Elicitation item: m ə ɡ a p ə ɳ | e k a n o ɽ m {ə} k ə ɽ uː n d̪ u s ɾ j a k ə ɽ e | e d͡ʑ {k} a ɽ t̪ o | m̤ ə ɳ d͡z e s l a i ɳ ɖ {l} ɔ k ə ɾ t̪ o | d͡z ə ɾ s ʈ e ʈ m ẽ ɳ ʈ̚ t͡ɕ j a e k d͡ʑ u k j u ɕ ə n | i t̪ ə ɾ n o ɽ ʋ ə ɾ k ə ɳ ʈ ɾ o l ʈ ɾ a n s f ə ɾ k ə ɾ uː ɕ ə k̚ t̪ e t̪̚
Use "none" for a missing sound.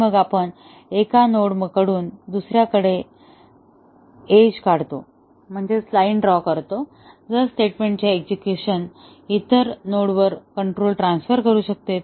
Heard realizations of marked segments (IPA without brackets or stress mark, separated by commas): ə, k, ɾ